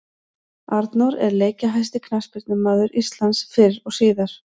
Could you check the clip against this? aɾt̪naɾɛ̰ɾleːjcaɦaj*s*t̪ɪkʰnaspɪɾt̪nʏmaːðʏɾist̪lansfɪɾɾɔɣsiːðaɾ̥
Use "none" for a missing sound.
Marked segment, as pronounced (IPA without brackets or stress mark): s